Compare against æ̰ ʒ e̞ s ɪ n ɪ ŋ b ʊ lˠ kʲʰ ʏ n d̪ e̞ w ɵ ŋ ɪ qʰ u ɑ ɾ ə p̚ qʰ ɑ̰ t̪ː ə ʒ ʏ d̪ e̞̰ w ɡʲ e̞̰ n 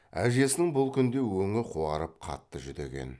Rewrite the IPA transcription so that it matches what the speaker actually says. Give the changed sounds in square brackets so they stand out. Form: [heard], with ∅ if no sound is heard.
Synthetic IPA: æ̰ ʒ e̞ s ɪ n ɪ ŋ b ʊ lˠ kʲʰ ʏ n d̪ e̞ w ɵ ŋ ɪ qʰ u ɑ ɾ ə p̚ qʰ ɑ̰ t̪ː ə ʒ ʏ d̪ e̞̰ [∅] ɡʲ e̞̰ n